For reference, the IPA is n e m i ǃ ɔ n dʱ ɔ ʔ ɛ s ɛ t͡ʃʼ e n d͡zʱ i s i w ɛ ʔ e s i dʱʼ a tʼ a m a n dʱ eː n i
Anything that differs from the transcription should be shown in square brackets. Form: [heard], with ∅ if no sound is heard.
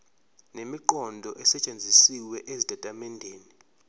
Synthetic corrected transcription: n e m i ǃ ɔ n dʱ ɔ ʔ ɛ s ɛ t͡ʃʼ e n d͡zʱ i s i w ɛ ʔ e [z] i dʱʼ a tʼ a m [ɛ] n dʱ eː n i